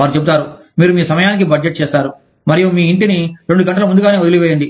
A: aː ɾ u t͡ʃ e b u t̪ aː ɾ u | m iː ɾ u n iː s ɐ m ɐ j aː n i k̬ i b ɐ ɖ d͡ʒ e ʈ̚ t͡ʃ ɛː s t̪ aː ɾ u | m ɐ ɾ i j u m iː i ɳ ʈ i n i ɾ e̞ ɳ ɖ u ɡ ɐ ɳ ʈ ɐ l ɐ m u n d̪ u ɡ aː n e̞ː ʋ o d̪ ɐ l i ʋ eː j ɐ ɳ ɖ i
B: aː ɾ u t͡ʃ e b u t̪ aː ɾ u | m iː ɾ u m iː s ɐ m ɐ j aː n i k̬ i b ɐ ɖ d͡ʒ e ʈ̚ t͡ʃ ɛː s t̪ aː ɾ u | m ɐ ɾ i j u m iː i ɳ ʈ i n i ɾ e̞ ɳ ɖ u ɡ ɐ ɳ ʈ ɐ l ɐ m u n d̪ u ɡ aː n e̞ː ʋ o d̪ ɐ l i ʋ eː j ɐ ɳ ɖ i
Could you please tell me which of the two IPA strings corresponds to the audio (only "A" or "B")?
B